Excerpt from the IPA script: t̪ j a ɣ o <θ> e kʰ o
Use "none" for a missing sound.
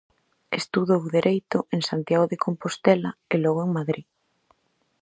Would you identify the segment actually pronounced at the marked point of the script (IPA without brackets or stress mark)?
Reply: ð